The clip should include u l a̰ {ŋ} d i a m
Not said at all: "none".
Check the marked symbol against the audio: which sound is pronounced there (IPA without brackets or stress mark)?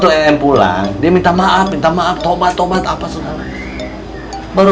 ŋ